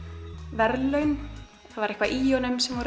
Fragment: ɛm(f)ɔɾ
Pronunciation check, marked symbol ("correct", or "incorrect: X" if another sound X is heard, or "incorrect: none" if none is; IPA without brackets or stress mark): incorrect: v